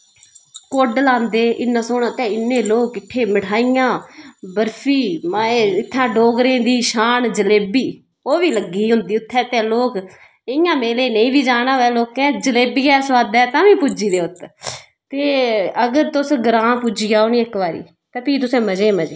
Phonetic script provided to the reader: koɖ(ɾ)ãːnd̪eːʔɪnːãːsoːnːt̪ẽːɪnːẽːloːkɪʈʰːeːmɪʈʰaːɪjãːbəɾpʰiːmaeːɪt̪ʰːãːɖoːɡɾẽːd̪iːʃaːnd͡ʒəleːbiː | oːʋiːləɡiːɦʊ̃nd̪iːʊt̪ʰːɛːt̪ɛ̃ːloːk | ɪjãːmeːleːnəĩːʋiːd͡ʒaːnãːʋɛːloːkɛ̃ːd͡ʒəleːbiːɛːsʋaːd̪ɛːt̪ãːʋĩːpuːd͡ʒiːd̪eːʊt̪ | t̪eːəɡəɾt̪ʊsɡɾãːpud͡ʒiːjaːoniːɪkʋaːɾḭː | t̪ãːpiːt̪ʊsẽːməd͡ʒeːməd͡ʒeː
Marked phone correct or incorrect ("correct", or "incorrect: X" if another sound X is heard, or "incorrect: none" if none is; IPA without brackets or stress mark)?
incorrect: l